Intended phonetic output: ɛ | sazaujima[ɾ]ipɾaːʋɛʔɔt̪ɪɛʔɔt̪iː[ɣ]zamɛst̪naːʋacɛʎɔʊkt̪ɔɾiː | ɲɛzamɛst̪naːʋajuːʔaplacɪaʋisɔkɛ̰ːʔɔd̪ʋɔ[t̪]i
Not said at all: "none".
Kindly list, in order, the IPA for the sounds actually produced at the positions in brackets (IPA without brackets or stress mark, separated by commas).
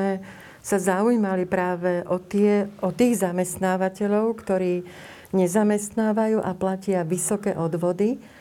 l, ɣ, d̪